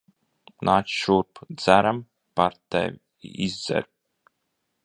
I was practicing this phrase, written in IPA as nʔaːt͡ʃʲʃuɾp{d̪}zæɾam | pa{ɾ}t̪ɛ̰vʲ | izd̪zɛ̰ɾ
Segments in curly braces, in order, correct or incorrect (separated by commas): correct, correct